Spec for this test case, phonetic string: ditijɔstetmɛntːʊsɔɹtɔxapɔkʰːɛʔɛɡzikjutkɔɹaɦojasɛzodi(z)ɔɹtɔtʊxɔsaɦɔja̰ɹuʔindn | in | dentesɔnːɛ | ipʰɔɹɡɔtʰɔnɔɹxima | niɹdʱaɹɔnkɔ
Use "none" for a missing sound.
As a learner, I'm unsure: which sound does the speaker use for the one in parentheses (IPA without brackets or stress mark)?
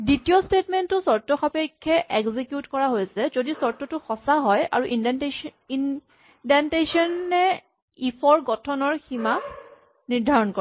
s